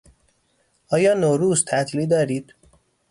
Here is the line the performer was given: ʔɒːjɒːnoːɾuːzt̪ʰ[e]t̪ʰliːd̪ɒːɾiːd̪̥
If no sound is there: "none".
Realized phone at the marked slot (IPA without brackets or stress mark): æ